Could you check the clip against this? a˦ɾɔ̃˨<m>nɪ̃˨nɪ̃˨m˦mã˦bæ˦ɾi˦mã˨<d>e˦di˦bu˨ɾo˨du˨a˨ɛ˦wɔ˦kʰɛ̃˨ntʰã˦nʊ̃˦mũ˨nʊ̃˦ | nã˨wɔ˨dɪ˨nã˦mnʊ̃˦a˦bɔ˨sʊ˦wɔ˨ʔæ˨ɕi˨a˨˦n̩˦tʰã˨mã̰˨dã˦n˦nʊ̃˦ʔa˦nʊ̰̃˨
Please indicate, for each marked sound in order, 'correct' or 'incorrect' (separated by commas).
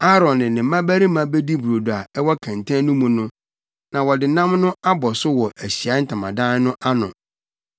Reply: incorrect, incorrect